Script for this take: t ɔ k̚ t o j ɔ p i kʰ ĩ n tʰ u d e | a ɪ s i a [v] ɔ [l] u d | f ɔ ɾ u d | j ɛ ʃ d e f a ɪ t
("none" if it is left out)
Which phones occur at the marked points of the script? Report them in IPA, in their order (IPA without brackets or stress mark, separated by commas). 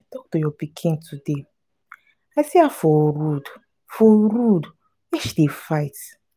f, ɾ